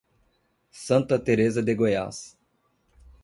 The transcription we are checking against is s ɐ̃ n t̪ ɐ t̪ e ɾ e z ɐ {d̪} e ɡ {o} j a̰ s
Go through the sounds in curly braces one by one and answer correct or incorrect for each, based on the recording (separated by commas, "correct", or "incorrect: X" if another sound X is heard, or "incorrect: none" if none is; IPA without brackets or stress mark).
correct, correct